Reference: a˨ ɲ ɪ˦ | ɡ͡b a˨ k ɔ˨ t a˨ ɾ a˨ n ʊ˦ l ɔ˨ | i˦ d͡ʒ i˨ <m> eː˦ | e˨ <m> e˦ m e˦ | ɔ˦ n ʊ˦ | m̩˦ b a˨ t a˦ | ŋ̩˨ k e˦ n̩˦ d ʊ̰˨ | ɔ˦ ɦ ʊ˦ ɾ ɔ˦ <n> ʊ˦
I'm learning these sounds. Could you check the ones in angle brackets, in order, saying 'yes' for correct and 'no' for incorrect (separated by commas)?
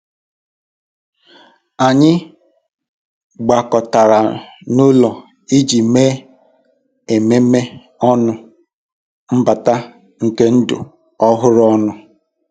yes, yes, yes